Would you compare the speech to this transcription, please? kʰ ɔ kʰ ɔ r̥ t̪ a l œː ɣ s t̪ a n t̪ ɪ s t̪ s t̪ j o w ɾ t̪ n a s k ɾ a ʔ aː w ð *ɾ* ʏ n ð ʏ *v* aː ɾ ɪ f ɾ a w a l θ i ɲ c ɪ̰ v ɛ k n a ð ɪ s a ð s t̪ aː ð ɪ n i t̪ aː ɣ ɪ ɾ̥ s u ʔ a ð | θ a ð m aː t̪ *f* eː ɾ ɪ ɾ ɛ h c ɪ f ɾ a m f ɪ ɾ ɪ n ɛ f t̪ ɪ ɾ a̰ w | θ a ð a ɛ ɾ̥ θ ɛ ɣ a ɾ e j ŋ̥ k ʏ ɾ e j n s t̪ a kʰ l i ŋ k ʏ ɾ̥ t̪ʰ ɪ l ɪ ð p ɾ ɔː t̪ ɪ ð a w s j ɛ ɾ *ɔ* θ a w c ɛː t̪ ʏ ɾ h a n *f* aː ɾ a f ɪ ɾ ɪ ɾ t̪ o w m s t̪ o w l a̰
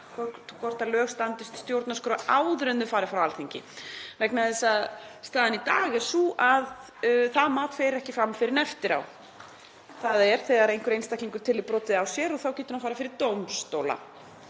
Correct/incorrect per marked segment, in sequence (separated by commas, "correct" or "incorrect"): correct, incorrect, correct, correct, correct